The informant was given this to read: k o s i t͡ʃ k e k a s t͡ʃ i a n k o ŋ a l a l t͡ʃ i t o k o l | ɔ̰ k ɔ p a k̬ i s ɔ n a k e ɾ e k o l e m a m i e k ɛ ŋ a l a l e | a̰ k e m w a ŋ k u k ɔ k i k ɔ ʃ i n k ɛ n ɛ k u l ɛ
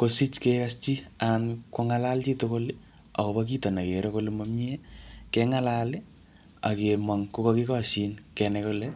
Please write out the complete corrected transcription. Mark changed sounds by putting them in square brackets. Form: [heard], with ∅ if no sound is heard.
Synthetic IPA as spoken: k o s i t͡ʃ k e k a s t͡ʃ i a n k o ŋ a l a l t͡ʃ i t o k o l | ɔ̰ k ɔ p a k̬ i [t] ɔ n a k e ɾ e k o l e m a m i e k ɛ ŋ a l a l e | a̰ k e m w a ŋ k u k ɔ k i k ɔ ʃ i n k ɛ n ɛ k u l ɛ